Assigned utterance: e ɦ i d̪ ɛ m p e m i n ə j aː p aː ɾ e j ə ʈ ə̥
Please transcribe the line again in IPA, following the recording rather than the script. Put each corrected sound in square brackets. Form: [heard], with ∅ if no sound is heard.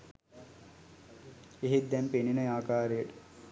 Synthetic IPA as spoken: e ɦ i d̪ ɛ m p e [n] i n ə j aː [k] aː ɾ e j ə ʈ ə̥